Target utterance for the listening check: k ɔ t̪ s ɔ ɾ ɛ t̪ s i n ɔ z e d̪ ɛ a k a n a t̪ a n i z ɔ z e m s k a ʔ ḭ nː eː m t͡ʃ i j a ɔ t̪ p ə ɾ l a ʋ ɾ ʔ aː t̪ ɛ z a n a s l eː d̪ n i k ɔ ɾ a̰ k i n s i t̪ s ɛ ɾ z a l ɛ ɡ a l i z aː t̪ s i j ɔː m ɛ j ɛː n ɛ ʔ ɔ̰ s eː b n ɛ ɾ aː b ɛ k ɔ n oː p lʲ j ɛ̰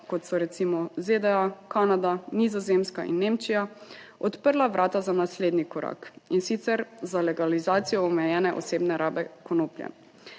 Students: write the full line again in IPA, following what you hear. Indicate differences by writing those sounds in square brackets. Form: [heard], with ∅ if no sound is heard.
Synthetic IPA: k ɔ t̪ s ɔ ɾ ɛ t̪ s i [m] ɔ z e d̪ ɛ a k a n a [d̪] a n i z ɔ z e m s k a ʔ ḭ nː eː m t͡ʃ i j a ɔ t̪ p ə ɾ l a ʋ ɾ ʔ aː t̪ [a] z a n a s l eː d̪ n i k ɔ ɾ a̰ k i n s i t̪ s ɛ ɾ z a l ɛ ɡ a l i z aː t̪ s i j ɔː m ɛ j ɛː n ɛ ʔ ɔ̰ s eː b n ɛ ɾ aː b ɛ k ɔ n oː p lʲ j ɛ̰